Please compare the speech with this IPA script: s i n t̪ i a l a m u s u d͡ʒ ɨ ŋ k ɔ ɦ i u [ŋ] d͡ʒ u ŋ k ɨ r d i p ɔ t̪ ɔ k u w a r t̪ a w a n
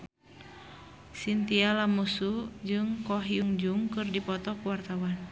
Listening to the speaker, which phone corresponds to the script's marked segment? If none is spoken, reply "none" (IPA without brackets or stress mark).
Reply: ŋ